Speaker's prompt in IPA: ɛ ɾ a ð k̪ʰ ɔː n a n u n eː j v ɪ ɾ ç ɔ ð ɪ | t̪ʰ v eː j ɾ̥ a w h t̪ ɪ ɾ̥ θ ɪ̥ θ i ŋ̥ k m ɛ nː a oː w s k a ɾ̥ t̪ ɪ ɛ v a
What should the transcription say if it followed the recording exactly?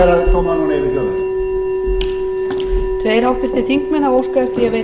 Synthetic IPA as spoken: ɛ ɾ a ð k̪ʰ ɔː m a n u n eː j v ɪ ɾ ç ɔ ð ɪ | t̪ʰ v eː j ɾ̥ a w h t̪ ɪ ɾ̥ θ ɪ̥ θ i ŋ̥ k m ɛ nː a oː w s k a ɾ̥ t̪ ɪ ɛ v e